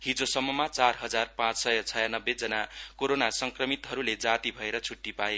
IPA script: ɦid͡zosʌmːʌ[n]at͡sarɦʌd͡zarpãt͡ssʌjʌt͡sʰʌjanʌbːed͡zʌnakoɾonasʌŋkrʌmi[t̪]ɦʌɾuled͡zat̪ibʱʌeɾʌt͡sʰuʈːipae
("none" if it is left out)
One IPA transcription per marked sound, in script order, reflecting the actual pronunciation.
m, t̪

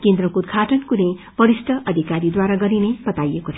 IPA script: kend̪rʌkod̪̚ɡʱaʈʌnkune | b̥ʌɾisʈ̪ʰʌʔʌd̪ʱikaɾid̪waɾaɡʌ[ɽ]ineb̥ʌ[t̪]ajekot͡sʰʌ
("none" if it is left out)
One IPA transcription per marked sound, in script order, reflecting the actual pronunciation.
ɾ, t̪

